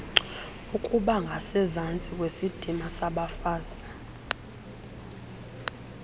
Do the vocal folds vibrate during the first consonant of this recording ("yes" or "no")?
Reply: no